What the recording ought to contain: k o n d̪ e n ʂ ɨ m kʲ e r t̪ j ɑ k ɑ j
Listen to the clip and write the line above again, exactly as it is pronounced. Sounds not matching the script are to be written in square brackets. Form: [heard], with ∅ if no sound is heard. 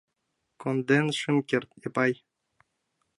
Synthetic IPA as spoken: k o n d̪ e n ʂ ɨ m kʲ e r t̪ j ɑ [p] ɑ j